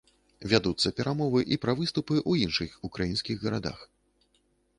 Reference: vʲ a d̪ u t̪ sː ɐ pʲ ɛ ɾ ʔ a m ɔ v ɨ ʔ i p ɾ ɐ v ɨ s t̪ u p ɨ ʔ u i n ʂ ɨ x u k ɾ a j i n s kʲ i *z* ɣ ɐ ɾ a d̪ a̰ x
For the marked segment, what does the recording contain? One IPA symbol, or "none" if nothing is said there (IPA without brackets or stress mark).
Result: ɣ